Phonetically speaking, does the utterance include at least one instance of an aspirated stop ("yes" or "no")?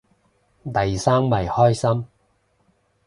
no